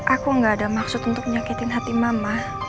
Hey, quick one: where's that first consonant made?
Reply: throat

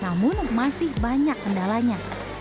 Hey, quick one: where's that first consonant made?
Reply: tongue tip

